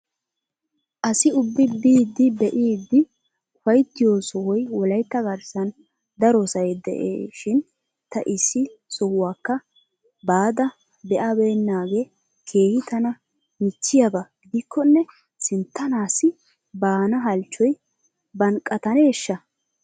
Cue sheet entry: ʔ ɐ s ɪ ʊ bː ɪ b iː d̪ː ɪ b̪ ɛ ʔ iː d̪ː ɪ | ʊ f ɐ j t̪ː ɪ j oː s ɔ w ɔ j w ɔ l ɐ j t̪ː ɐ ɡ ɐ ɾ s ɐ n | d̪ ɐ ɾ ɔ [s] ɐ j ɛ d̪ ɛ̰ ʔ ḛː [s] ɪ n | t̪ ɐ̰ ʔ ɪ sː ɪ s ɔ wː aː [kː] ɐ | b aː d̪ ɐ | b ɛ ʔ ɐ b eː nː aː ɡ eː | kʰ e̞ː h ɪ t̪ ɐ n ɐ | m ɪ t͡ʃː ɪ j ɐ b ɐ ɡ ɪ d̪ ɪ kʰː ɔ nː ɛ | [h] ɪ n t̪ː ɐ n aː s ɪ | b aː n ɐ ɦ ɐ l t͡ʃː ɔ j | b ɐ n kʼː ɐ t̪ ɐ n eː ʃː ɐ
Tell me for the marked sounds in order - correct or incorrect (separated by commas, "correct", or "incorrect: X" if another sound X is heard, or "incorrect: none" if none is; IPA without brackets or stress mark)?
correct, incorrect: ʃ, correct, incorrect: s